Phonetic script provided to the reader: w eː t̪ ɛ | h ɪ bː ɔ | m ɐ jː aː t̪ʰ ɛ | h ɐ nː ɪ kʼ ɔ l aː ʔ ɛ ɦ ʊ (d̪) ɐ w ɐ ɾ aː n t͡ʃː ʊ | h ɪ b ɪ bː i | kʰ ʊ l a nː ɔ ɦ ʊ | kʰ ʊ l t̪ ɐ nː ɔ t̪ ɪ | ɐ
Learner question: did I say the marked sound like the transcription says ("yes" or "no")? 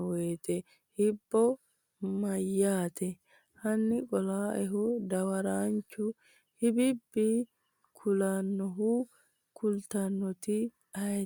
yes